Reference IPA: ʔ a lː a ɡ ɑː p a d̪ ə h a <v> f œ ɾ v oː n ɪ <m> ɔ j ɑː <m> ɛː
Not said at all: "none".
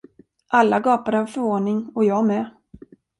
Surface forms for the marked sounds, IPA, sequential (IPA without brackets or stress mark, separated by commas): v, ŋ, m